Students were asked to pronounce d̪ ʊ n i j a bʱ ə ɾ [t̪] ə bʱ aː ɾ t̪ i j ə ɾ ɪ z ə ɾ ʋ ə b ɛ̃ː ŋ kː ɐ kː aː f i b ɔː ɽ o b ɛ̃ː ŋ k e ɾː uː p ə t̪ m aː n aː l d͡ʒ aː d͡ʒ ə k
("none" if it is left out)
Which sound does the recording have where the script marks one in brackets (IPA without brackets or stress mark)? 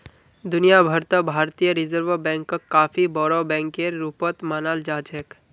t̪